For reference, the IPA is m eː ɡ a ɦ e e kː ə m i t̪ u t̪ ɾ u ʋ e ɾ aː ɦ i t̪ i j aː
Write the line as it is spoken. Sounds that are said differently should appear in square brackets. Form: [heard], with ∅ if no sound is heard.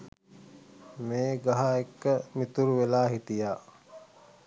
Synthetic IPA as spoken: m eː ɡ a ɦ [a] e kː ə m i t̪ u [∅] ɾ u ʋ e [l] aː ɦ i t̪ i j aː